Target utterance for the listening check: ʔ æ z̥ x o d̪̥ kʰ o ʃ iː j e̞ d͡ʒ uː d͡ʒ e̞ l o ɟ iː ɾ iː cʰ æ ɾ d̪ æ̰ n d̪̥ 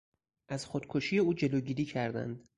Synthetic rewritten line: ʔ æ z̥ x o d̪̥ kʰ o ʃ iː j e̞ uː d͡ʒ e̞ l o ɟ iː ɾ iː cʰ æ ɾ d̪ æ̰ n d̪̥